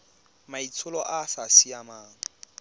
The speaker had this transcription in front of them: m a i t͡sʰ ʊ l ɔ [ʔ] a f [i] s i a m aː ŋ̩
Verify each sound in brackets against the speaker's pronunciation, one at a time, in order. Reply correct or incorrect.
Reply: correct, incorrect: a

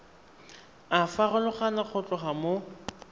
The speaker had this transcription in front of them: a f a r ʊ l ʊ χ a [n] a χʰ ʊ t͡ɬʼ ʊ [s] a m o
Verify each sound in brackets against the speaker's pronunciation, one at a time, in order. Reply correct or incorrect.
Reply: correct, incorrect: χ

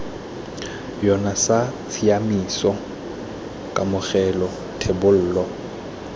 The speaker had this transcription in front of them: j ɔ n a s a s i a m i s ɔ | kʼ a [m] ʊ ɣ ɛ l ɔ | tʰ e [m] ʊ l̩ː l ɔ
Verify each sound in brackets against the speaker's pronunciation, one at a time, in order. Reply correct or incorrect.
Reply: correct, incorrect: b

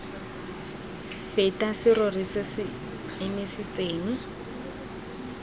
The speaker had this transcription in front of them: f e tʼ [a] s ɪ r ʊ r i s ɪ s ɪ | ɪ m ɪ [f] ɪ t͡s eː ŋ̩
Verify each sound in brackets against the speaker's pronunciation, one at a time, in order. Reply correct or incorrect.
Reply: correct, incorrect: s

